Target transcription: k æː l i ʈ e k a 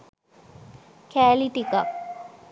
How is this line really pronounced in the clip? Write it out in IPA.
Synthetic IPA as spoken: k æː l i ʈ i k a